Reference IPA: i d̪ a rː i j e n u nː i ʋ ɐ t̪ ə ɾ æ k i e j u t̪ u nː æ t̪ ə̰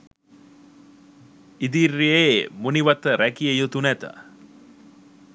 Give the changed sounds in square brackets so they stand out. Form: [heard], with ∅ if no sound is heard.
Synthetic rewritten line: i d̪ [i] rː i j e [m] u [n] i ʋ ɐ t̪ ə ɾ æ k i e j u t̪ u [n] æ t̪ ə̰